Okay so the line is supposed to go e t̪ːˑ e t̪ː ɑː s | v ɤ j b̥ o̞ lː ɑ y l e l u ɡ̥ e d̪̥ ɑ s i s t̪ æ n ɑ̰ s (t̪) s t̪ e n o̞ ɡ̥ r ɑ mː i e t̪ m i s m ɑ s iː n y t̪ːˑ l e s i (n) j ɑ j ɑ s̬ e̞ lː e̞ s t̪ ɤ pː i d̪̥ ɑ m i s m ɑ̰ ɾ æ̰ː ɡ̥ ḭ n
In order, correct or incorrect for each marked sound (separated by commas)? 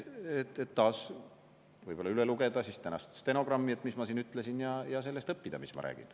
correct, correct